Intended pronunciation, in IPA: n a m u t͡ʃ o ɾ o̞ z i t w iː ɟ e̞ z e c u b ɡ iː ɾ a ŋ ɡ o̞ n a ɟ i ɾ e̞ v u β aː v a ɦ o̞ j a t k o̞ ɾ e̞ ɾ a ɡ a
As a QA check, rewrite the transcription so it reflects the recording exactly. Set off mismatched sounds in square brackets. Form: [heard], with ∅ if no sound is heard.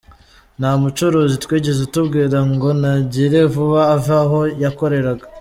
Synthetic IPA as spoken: n a m u t͡ʃ o ɾ o̞ z i t w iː ɟ e̞ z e [t] u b ɡ iː ɾ a ŋ ɡ o̞ n a ɟ i ɾ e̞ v u β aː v a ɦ o̞ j a [∅] k o̞ ɾ e̞ ɾ a ɡ a

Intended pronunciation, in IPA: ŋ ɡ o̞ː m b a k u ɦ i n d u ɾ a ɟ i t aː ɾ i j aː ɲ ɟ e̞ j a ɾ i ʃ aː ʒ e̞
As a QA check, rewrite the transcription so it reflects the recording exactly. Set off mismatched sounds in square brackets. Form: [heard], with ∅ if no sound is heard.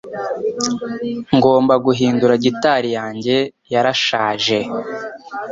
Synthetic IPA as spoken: ŋ ɡ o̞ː m b a [ɡ] u ɦ [iː] n d u ɾ a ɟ i t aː ɾ i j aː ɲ ɟ e̞ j a ɾ [a] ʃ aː ʒ e̞

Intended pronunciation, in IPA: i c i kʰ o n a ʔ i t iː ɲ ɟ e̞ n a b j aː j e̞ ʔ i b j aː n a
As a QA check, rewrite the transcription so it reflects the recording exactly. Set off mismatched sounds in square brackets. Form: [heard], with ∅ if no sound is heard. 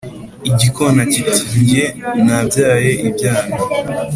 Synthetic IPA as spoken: i [ɟ] i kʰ o n a [c] i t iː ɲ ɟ e̞ n a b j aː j e̞ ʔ i b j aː n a

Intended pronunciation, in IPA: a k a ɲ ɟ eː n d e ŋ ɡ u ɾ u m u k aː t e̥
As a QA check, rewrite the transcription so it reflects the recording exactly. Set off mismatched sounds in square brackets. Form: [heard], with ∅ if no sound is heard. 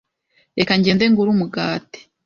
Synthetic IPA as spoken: [e] k a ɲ ɟ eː n d e ŋ ɡ u ɾ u m u [ɡ] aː t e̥

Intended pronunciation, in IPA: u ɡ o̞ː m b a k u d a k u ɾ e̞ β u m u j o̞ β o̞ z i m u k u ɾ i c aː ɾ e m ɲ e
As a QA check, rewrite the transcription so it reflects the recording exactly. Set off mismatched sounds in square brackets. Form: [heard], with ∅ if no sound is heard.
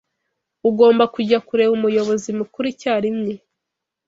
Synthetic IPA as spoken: u ɡ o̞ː m b a k u [ɟ] a k u ɾ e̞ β u m u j o̞ β o̞ z i m u k u ɾ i c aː ɾ [i] m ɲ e

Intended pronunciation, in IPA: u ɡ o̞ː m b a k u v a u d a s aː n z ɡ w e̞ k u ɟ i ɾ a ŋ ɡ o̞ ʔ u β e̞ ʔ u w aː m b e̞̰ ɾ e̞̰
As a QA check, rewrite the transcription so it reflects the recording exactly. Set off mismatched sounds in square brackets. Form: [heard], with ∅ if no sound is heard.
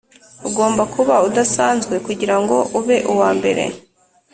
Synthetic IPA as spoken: u ɡ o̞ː m b a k u [β] a u d a s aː n z ɡ w e̞ k u ɟ i ɾ a ŋ ɡ o̞ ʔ u β e̞ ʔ u w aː m b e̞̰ ɾ e̞̰

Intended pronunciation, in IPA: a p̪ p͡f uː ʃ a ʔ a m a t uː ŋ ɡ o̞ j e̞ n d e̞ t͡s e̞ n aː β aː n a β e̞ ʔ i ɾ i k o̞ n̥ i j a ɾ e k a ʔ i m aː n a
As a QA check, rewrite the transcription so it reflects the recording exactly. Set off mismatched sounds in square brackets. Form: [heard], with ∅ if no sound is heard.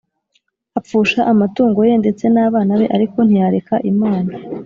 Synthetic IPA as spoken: a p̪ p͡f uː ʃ a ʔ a m a t uː ŋ ɡ o̞ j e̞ n d e̞ t͡s e̞ n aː β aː n a β e̞ ʔ [a] ɾ i k o̞ n̥ i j a ɾ e k a ʔ i m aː n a

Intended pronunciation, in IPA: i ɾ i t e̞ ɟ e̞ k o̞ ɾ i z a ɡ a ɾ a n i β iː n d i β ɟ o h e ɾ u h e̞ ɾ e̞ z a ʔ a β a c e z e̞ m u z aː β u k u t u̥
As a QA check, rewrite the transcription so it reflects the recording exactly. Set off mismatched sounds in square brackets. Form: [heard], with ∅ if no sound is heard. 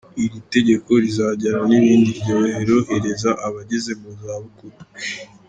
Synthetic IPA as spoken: i ɾ i t e̞ ɟ e̞ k o̞ ɾ i z a [ɟ] a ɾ a n i β iː n d i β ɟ o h e ɾ [o] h e̞ ɾ e̞ z a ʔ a β a [ɟ] e z e̞ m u z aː β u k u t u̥

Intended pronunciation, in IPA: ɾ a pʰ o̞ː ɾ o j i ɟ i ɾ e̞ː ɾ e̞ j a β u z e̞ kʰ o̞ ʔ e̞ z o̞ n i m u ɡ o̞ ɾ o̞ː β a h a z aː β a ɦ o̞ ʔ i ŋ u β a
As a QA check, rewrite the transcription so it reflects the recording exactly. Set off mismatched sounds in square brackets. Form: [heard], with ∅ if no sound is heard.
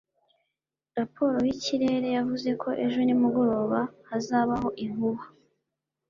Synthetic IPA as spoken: ɾ a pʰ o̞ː ɾ o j i [c] i ɾ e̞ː ɾ e̞ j a [v] u z e̞ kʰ o̞ ʔ e̞ [ʒ] o̞ n i m u ɡ o̞ ɾ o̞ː β a h a z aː β a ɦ o̞ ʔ i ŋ u β a

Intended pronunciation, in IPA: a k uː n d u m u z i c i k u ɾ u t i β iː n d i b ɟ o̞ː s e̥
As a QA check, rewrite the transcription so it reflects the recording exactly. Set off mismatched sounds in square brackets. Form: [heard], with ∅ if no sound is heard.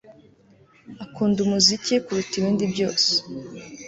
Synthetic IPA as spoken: a k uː n d u m u z i c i k u ɾ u t i β iː n d i b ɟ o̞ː s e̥

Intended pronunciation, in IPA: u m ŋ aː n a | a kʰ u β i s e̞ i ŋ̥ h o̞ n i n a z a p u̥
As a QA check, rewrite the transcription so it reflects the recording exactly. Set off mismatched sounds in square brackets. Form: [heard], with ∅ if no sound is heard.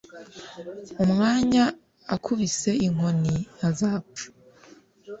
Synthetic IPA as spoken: u m ŋ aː [ɲ] a | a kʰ u β i s e̞ i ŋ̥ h o̞ n i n a z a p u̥

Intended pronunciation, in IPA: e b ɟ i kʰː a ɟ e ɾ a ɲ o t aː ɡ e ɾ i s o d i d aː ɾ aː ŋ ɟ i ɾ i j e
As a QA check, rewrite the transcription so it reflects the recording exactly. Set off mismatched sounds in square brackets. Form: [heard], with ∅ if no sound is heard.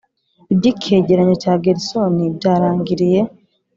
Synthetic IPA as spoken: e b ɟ i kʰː [e] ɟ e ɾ a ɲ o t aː ɡ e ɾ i s o [n] i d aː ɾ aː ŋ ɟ i ɾ i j e

